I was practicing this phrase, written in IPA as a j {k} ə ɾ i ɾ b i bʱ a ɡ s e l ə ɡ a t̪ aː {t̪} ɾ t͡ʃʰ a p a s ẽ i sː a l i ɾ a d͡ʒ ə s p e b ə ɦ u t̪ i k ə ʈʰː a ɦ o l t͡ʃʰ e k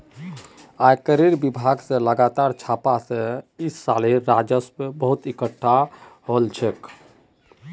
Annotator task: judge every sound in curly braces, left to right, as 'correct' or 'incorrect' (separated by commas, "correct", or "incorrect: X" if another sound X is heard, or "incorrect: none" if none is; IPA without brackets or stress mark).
correct, incorrect: none